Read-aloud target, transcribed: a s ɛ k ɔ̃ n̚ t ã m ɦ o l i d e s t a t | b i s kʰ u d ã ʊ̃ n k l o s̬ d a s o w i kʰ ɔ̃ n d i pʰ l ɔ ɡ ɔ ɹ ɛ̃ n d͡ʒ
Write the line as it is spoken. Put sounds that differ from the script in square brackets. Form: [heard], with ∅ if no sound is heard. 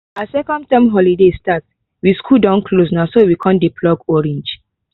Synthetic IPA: a s ɛ k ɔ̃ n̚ t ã m ɦ [ɔ] l i d e s t a t | [w] i s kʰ u d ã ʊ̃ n k l o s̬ [n] a s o w i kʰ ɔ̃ n d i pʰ l ɔ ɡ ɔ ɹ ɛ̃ n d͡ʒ